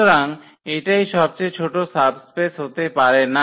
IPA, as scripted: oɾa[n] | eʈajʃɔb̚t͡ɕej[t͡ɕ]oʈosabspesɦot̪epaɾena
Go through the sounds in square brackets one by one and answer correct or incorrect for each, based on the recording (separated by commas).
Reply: incorrect, incorrect